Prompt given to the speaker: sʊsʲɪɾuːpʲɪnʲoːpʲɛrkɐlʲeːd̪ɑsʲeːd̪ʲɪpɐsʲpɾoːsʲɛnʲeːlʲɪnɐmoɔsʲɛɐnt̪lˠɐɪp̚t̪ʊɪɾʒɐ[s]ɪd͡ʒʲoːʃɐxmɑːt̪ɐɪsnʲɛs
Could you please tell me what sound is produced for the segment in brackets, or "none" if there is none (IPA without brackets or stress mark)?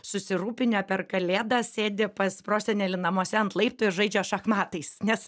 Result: none